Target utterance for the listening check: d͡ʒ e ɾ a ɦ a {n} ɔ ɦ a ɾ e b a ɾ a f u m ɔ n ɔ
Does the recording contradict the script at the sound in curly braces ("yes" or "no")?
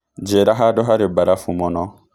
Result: yes